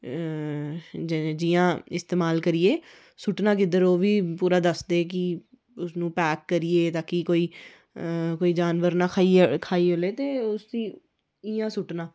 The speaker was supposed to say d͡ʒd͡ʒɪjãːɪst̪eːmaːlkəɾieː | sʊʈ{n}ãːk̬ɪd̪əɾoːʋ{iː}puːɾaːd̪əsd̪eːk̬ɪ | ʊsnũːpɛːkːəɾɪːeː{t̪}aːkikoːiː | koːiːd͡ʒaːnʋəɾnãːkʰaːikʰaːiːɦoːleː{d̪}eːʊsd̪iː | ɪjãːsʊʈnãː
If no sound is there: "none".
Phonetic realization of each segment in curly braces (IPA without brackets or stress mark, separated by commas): n, iː, t̪, t̪